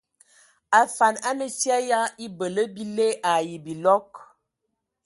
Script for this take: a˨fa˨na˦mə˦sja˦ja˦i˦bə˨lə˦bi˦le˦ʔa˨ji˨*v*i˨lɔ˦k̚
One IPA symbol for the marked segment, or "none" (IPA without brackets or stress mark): b